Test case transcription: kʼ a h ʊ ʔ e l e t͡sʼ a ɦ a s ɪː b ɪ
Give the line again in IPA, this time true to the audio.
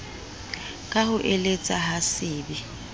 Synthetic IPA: kʼ a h ʊ ʔ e l e t͡sʼ a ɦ a s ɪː b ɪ